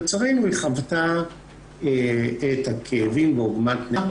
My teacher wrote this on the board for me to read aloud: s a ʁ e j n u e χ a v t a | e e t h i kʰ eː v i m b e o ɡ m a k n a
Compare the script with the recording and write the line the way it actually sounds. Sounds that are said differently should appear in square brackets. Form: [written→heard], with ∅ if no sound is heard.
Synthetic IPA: [s→t͡s] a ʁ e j n u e χ a v t a | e e t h [i→a] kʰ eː v i m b e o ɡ m a [k→t] n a